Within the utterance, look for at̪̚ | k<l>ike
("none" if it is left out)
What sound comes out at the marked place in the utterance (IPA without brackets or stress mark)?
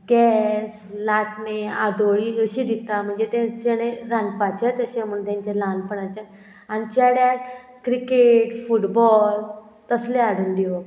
ɾ